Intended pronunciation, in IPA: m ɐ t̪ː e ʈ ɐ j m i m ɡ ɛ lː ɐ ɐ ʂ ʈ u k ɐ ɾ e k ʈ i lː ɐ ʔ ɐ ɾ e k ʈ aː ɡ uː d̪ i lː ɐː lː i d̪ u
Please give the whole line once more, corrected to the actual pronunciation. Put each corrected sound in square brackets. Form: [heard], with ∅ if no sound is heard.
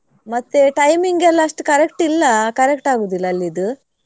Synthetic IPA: m ɐ t̪ː e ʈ ɐ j m i [ŋ] ɡ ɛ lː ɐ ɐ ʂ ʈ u k ɐ ɾ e k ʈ i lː ɐ [k] ɐ ɾ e k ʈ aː ɡ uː d̪ i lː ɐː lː i d̪ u

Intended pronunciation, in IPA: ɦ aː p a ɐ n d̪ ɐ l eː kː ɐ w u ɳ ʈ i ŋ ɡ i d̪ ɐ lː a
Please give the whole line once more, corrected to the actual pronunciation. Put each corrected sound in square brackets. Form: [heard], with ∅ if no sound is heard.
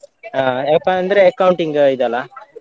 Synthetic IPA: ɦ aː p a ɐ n d̪ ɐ [ɾ] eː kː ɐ w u ɳ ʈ i ŋ ɡ i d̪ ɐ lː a

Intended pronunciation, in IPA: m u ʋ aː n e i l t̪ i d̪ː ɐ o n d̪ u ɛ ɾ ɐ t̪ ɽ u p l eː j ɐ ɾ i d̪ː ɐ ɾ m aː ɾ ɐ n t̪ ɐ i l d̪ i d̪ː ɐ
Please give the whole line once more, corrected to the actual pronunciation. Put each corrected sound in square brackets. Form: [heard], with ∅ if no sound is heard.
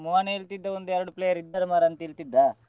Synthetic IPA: m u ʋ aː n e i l t̪ i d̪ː ɐ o n d̪ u ɛ ɾ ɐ [∅] ɽ u p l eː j ɐ ɾ i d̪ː ɐ ɾ m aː ɾ ɐ n t̪ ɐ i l [t̪] i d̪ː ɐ

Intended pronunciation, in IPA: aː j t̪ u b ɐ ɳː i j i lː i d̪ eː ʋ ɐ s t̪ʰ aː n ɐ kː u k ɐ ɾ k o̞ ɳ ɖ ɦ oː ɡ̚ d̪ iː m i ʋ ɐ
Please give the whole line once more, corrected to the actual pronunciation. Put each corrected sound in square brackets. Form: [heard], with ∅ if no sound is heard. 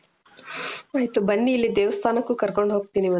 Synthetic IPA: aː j t̪ u b ɐ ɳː i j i lː i d̪ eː ʋ ɐ s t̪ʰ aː n ɐ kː u k ɐ ɾ k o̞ ɳ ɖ ɦ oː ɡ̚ [t̪] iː [n] i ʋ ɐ

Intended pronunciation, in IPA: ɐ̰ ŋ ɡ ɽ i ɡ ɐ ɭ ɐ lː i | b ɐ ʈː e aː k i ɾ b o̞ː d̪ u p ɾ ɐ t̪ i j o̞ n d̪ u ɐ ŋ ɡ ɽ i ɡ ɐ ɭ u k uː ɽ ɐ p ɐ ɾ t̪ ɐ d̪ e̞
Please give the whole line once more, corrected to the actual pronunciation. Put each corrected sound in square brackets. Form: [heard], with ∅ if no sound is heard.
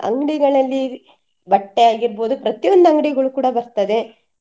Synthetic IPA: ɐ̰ ŋ ɡ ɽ i ɡ ɐ ɭ ɐ lː i | b ɐ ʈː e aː [ɡ] i ɾ b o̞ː d̪ u p ɾ ɐ t̪ i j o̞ n d̪ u ɐ ŋ ɡ ɽ i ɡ ɐ ɭ u k uː ɽ ɐ [b] ɐ ɾ t̪ ɐ d̪ e̞

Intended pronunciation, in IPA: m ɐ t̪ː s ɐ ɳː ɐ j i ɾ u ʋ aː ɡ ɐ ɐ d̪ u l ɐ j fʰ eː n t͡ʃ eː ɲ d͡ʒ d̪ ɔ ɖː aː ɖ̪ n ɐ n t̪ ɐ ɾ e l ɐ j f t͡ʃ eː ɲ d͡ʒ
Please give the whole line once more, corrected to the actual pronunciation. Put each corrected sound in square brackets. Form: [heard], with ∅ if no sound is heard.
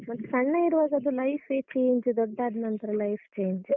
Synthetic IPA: m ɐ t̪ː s ɐ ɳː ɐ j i ɾ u ʋ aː ɡ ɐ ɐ d̪ u l ɐ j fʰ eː [∅] t͡ʃ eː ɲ d͡ʒ d̪ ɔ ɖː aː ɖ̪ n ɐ n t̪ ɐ ɾ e l ɐ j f t͡ʃ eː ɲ d͡ʒ

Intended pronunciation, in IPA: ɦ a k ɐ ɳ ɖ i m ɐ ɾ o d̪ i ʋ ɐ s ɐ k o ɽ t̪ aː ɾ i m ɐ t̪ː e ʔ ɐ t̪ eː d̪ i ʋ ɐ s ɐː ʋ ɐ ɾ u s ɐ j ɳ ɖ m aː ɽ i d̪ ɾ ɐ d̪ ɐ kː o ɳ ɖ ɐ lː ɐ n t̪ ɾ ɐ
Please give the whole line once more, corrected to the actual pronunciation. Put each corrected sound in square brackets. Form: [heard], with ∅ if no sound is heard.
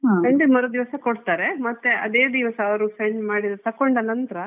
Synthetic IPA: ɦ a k ɐ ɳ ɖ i m ɐ ɾ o d̪ i ʋ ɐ s ɐ k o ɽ t̪ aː ɾ [e] m ɐ t̪ː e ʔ ɐ [d̪] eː d̪ i ʋ ɐ s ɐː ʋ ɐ ɾ u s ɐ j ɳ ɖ m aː ɽ i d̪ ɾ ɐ [t̪] ɐ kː o ɳ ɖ ɐ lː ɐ n t̪ ɾ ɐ

